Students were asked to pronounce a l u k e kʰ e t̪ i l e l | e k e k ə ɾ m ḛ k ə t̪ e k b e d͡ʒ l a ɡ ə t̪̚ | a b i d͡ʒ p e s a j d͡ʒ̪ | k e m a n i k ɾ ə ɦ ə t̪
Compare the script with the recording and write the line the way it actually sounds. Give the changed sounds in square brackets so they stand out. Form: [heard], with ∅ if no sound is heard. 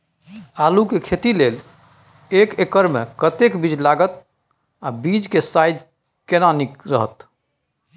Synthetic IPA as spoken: a l u k e kʰ e t̪ i l e l | e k e k ə ɾ m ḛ k ə t̪ e k b [i] d͡ʒ l a ɡ ə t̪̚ | a b i d͡ʒ [k] e s a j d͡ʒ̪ | k e [n] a n i k ɾ ə ɦ ə t̪